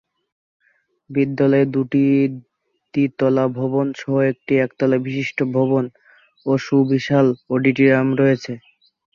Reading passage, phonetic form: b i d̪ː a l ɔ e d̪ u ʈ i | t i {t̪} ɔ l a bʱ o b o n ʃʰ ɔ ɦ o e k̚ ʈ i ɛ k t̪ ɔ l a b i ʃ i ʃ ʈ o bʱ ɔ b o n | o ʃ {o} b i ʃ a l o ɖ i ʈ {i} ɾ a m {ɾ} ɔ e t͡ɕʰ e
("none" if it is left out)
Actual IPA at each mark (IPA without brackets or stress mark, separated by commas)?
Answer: t̪, u, i, ɾ